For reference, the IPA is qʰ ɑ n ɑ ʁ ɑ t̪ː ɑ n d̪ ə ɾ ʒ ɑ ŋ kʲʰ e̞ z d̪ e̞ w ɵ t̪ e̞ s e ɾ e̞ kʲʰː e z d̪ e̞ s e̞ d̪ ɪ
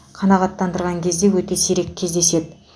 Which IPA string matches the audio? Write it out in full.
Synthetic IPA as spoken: qʰ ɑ n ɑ ʁ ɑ t̪ː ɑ n d̪ ə ɾ ʁ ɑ ŋ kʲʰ e̞ z d̪ e̞ w ɵ t̪ e̞ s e ɾ e̞ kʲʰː e z d̪ e̞ s e̞ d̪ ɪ